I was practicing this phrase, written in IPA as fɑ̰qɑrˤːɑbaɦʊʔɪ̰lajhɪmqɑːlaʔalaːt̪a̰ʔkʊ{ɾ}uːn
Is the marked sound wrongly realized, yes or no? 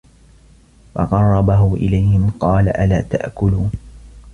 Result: yes